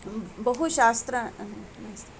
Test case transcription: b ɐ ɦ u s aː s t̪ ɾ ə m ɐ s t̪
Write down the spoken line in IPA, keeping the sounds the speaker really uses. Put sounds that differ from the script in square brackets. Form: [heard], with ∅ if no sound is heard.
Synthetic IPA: b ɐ ɦ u [ʃ] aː s t̪ ɾ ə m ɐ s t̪